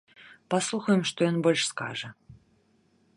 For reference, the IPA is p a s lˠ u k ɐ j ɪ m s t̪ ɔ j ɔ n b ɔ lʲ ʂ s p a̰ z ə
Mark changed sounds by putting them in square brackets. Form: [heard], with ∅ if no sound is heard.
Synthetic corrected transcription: p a s lˠ u [x] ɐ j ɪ m [ʂ] t̪ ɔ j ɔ n b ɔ lʲ ʂ s [k] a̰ [ʐ] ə